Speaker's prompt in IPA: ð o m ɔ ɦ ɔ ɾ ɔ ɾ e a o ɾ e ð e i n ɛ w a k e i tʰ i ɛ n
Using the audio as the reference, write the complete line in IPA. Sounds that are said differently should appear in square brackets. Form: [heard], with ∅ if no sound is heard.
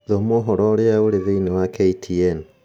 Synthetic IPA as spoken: ð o m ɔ ɦ ɔ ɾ ɔ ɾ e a o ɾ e ð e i n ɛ w a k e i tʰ i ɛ n